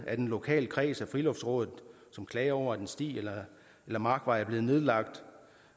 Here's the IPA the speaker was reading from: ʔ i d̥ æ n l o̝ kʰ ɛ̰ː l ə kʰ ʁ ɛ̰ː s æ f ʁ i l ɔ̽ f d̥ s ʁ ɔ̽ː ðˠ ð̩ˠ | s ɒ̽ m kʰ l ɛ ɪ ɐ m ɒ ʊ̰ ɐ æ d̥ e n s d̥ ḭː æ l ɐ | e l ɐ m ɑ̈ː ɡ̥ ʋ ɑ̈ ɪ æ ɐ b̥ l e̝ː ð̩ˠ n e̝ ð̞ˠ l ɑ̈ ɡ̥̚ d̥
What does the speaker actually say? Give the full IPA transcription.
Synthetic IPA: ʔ æ d̥ e n l o̝ kʰ ɛ̰ː l ə kʰ ʁ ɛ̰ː s æ f ʁ i l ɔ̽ f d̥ s ʁ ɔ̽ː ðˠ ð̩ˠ | s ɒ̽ m kʰ l ɛ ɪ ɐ ɒ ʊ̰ ɐ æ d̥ e n s d̥ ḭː e l ɐ | e l ɐ m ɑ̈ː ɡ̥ ʋ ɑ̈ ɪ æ ɐ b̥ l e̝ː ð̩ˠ n e̝ ð̞ˠ l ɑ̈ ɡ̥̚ d̥

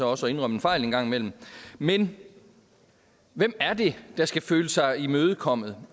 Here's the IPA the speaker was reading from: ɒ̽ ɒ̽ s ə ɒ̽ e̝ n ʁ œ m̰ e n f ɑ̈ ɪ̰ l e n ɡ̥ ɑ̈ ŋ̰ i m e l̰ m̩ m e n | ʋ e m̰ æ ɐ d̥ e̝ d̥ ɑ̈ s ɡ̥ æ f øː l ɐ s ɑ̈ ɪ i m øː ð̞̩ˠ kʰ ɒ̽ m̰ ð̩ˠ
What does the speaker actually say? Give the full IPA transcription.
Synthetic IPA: ɒ̽ ɒ̽ s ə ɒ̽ e̝ n ʁ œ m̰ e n f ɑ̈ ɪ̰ l e n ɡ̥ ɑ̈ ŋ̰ i m e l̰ m̩ m e n | ʋ e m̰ æ ɐ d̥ e̝ d̥ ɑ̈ s ɡ̥ æ f øː l ə s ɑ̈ ɪ i m øː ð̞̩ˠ kʰ ɒ̽ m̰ ð̩ˠ

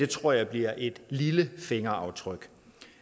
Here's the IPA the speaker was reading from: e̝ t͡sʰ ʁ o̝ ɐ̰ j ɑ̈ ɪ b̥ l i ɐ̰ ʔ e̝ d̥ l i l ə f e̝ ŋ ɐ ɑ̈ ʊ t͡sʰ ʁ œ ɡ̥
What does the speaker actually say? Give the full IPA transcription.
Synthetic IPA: e̝ t͡sʰ ʁ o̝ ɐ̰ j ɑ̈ ɪ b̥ l i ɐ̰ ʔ e̝ d̥ l i l ə f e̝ ŋ ɐ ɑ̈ ʊ t͡sʰ ʁ œ ɡ̥

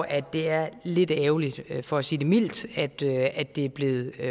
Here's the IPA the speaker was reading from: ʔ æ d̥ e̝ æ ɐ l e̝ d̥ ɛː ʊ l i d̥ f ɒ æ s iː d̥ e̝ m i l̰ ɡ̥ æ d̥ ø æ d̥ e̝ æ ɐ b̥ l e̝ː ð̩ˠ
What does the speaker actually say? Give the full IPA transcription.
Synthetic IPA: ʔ æ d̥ e̝ æ ɐ l e̝ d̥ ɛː ʊ l i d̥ f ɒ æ s iː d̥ e̝ m i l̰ d̥ æ d̥ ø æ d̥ e̝ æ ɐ b̥ l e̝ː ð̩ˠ

